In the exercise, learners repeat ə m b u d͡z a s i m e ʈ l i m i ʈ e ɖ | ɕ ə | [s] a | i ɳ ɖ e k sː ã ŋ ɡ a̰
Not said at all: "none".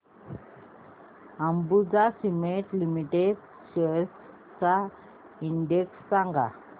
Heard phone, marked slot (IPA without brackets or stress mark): t͡s